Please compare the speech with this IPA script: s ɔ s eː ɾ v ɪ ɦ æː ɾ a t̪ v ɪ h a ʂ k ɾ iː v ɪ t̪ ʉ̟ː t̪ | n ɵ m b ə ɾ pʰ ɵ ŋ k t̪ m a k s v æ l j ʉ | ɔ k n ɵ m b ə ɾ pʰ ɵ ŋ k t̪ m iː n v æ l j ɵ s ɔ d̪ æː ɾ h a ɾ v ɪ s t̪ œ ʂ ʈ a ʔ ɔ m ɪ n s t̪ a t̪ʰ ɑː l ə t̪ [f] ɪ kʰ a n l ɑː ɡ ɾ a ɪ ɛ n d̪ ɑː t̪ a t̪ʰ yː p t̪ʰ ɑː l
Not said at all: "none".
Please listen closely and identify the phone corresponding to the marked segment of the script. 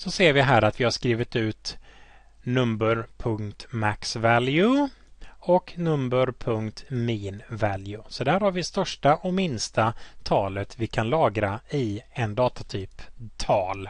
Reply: v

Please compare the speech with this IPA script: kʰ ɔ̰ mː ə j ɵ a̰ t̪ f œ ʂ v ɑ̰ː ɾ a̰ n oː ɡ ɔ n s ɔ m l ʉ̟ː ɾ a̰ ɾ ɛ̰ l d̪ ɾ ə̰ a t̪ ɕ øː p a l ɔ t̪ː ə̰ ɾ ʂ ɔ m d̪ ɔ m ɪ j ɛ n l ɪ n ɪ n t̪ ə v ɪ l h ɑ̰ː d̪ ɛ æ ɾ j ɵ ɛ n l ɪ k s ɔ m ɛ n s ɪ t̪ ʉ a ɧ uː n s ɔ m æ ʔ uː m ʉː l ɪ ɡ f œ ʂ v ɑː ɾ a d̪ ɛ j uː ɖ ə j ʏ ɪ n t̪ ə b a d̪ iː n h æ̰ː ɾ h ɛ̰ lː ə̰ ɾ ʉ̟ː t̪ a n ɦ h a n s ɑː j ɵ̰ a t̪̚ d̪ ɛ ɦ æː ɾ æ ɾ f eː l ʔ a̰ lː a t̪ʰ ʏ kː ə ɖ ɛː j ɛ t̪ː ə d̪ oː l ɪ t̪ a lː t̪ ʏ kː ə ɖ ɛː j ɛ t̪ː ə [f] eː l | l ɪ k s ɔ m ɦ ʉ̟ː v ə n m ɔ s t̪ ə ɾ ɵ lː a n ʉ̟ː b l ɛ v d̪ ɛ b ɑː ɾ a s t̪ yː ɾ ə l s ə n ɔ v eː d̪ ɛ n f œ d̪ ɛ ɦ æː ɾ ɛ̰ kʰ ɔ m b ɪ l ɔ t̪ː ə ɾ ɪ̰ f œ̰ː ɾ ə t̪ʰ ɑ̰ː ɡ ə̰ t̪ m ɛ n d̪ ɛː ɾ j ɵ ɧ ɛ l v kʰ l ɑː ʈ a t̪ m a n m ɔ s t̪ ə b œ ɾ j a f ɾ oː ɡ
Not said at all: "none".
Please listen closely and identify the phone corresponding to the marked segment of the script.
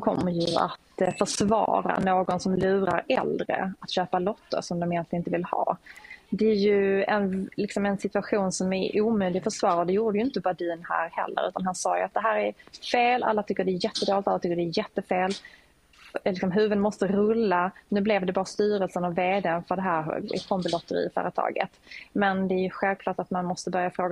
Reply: f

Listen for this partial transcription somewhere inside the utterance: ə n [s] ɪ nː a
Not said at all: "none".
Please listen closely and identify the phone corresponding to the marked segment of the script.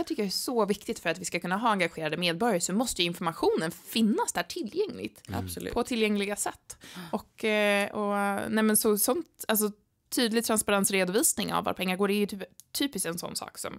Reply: f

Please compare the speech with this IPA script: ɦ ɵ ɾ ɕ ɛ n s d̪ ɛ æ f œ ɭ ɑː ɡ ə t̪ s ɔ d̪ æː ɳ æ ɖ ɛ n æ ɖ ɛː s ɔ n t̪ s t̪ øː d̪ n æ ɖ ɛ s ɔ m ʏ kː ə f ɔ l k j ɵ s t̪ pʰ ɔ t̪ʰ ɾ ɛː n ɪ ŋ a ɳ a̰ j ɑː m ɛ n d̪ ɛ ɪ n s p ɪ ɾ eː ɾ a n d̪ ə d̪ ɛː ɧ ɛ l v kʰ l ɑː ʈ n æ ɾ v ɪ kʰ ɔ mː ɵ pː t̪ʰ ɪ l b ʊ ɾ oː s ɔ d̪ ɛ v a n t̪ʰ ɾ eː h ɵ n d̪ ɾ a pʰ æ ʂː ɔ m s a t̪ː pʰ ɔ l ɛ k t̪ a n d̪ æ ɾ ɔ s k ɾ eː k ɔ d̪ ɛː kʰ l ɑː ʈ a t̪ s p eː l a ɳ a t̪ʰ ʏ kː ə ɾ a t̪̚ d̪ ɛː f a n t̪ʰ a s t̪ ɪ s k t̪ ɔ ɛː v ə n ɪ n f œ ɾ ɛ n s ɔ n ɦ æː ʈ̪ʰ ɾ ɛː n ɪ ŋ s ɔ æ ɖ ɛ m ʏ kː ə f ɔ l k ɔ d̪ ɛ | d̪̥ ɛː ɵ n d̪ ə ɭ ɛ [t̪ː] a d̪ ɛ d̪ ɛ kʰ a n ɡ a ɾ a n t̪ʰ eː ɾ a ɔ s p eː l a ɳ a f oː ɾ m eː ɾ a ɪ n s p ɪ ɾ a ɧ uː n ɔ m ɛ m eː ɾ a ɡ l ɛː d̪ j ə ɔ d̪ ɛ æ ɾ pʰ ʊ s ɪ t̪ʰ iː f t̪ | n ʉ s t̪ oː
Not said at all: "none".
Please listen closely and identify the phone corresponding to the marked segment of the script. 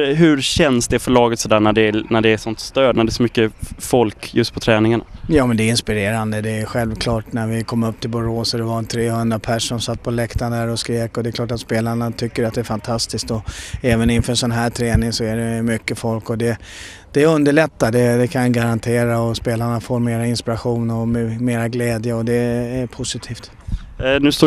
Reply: t̪ː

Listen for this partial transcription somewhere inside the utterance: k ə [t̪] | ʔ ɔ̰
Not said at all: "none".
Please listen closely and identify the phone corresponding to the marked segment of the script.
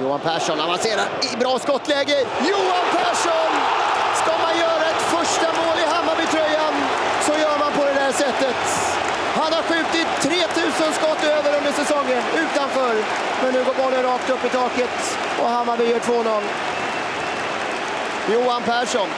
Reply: t̪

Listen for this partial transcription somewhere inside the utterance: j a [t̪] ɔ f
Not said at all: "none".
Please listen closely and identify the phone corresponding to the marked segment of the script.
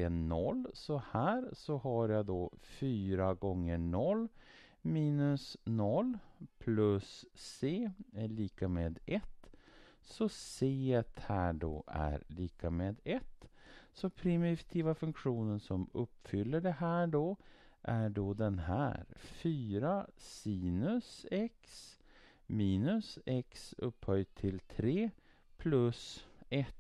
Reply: d̪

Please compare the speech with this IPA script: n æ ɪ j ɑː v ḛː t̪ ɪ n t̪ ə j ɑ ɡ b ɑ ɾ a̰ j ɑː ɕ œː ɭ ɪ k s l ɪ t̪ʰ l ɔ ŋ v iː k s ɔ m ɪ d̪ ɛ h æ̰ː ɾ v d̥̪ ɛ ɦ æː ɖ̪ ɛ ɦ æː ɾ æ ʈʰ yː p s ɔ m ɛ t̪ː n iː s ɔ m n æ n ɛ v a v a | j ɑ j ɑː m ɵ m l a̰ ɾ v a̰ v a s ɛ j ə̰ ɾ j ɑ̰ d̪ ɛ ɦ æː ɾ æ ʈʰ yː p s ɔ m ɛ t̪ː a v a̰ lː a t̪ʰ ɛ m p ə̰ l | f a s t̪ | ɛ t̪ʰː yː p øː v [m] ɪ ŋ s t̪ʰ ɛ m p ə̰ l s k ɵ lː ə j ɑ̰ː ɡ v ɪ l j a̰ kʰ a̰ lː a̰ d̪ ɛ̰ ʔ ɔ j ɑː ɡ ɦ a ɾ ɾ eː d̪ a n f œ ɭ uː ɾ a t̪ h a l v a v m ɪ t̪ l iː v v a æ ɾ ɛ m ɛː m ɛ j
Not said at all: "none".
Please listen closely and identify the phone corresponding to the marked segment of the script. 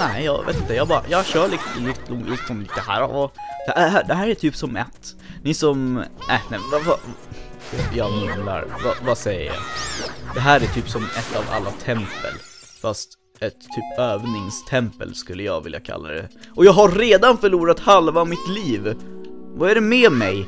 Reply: n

